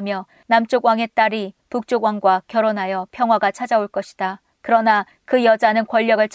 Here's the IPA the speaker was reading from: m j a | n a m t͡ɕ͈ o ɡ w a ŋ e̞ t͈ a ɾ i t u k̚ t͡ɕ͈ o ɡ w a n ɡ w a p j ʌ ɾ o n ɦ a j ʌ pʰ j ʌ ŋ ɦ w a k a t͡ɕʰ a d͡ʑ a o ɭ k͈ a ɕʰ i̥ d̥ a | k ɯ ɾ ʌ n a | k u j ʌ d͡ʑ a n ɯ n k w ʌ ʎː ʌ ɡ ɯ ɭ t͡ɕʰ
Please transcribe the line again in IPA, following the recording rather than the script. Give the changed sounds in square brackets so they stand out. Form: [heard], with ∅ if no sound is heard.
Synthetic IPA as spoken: m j [ʌ] | n a m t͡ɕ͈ o ɡ w a ŋ e̞ t͈ a ɾ i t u k̚ t͡ɕ͈ o ɡ w a [ŋ] ɡ w a [k] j ʌ ɾ o n ɦ a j ʌ pʰ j ʌ ŋ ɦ w a [ɡ] a t͡ɕʰ a d͡ʑ a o ɭ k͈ [ʌ] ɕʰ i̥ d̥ a | k ɯ ɾ ʌ n a | k [ɯ] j ʌ d͡ʑ a n ɯ n k w ʌ ʎː ʌ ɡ ɯ ɭ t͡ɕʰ